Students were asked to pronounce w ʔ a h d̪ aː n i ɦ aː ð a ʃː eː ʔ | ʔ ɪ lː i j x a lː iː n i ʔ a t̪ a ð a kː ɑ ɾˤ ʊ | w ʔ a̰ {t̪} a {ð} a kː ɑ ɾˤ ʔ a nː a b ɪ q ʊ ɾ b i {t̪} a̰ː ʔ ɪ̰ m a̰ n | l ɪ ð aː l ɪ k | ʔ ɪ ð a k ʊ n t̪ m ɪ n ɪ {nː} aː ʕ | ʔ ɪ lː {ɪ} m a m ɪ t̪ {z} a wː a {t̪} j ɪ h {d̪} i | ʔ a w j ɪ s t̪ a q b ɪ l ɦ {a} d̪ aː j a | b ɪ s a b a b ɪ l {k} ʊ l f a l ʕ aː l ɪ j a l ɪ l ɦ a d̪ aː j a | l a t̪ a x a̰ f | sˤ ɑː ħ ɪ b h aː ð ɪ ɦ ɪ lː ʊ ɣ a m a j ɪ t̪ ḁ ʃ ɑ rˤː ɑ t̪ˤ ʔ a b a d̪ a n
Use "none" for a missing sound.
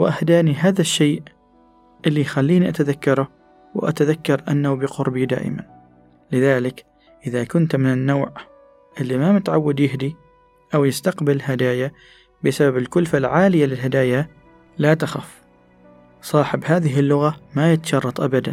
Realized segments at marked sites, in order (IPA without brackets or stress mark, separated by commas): t̪, ð, d̪, nː, i, ʕ, d̪, d̪, a, k